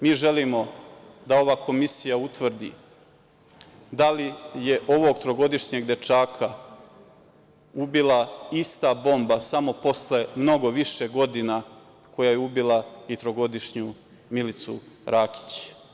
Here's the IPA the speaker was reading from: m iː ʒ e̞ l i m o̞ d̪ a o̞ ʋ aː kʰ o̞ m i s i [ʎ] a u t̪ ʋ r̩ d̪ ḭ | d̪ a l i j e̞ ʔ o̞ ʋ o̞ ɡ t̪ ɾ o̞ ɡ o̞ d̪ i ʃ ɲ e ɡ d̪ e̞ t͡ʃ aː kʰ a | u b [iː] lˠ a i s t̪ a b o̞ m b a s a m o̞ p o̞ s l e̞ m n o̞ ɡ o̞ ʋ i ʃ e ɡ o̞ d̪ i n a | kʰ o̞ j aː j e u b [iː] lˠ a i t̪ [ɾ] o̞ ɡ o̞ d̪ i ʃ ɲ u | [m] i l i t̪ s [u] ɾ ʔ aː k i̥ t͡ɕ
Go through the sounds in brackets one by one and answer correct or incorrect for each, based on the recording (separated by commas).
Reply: incorrect, incorrect, incorrect, correct, correct, correct